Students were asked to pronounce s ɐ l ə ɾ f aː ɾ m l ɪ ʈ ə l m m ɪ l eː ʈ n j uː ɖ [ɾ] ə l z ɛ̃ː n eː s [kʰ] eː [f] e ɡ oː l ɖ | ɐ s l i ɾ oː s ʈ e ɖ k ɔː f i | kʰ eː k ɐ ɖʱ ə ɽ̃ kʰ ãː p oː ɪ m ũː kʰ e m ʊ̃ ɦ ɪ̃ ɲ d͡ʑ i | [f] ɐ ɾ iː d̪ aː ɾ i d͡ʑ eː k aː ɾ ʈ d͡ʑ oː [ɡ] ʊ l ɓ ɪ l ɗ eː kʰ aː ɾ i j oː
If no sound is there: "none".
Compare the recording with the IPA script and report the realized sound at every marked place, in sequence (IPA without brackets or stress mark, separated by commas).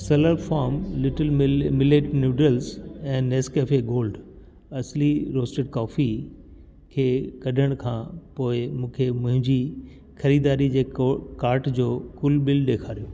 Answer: ɾ, k, f, x, k